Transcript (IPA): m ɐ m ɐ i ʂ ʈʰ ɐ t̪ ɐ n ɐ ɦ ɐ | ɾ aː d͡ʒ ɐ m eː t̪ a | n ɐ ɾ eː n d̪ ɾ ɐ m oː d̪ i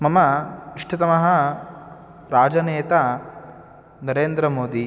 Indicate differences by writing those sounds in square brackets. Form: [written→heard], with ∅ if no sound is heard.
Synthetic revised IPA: m ɐ m ɐ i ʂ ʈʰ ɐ t̪ ɐ [n→m] ɐ ɦ ɐ | ɾ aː d͡ʒ ɐ [m→n] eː t̪ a | n ɐ ɾ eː n d̪ ɾ ɐ m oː d̪ i

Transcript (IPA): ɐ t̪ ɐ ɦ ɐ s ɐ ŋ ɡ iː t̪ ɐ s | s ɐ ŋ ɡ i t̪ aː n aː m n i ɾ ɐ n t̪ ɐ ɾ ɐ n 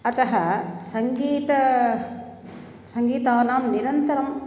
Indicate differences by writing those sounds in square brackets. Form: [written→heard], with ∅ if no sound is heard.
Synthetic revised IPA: ɐ t̪ ɐ ɦ ɐ s ɐ ŋ ɡ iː t̪ ɐ [s→∅] | s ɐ ŋ ɡ [i→iː] t̪ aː n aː m n i ɾ ɐ n t̪ ɐ ɾ ɐ [n→m]

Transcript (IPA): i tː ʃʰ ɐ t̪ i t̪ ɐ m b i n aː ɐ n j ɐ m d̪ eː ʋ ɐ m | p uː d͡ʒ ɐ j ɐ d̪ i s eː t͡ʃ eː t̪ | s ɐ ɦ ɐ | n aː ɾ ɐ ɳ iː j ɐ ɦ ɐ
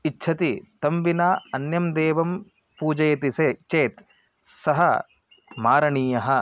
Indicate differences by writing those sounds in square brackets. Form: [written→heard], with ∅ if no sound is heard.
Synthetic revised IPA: i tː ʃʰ ɐ t̪ i t̪ ɐ m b i n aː ɐ n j ɐ m d̪ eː ʋ ɐ m | p uː d͡ʒ ɐ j ɐ [d̪→t̪] i s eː t͡ʃ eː t̪ | s ɐ ɦ ɐ | [n→m] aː ɾ ɐ ɳ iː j ɐ ɦ ɐ

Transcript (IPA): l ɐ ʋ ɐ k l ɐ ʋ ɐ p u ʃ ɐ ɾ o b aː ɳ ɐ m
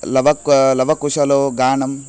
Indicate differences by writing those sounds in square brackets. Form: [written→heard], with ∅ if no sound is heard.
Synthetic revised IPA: l ɐ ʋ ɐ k l ɐ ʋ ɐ [p→k] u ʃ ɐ [ɾ→l] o [b→ɡ] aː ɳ ɐ m

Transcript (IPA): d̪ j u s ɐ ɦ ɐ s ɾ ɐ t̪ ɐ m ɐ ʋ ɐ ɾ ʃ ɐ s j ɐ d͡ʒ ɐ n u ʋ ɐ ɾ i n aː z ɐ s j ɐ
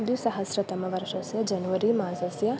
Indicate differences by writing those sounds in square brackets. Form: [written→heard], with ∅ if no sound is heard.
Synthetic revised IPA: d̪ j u s ɐ ɦ ɐ s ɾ ɐ t̪ ɐ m ɐ ʋ ɐ ɾ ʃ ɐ s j ɐ d͡ʒ ɐ n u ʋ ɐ ɾ i [n→m] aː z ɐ s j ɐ

